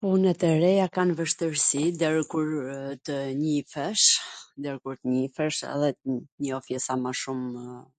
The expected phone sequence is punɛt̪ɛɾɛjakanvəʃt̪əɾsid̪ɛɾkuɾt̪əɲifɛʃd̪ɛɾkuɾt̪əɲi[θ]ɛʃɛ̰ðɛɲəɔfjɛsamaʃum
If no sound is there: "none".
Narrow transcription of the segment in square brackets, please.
f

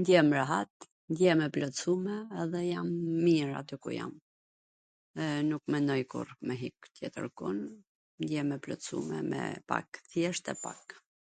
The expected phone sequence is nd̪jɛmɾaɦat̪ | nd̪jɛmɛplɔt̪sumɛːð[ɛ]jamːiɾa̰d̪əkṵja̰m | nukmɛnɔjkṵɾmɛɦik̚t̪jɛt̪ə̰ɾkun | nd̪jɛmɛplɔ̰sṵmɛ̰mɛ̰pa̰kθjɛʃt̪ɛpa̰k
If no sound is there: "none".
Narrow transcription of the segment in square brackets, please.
ɛ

